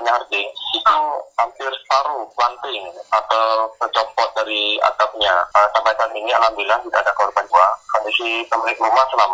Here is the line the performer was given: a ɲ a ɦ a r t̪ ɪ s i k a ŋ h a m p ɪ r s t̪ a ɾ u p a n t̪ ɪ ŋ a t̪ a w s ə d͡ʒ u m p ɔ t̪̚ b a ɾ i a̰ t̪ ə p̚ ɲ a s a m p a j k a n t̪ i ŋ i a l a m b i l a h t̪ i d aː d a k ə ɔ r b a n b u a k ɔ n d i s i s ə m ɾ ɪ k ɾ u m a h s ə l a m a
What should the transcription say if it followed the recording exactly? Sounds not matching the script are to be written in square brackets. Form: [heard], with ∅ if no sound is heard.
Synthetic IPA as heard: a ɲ a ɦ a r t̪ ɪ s i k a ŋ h a m p ɪ r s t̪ a ɾ u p a n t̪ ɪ ŋ a t̪ a w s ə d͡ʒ [ɔ] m p ɔ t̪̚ [d] a ɾ i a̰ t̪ [a] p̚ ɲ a s a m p a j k a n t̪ i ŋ i a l a m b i l a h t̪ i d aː d a k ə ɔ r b a n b u a k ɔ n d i s i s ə m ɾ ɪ k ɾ u m a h s ə l a m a